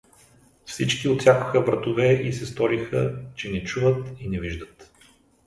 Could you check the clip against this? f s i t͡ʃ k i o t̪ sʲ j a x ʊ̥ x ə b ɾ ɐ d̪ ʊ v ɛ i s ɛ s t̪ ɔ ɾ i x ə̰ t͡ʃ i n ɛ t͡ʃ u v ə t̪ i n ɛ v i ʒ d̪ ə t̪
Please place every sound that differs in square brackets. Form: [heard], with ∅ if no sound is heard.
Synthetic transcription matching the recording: f s i t͡ʃ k i o t̪ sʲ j a [k] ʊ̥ x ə b ɾ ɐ [t̪] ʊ v ɛ i s ɛ s t̪ ɔ ɾ i x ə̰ t͡ʃ [ɛ] n ɛ t͡ʃ u v ə t̪ i n ɛ v i ʒ d̪ ə t̪